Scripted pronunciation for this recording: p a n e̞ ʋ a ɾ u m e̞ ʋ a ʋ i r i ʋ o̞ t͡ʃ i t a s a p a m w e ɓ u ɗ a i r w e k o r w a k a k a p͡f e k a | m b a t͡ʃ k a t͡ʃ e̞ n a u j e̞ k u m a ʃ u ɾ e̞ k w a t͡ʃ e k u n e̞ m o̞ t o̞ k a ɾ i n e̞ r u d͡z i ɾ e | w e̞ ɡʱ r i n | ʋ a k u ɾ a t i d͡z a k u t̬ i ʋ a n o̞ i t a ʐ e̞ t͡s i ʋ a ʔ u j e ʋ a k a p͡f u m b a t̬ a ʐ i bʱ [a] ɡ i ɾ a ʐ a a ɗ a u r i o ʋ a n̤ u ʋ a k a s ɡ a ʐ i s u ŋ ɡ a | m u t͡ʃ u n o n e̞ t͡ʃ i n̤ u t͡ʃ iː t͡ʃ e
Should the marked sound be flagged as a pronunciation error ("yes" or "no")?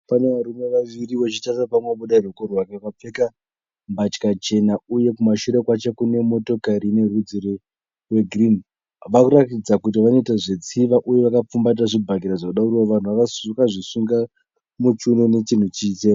no